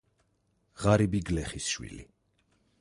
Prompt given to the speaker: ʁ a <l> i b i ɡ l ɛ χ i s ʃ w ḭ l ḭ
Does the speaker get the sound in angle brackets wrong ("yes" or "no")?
yes